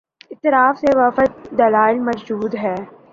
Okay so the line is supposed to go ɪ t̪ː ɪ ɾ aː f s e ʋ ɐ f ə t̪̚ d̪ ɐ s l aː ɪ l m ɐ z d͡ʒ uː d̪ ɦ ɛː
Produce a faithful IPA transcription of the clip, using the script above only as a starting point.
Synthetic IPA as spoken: ɪ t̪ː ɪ ɾ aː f s e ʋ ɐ f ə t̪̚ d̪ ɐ l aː ɪ l m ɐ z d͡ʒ uː d̪ ɦ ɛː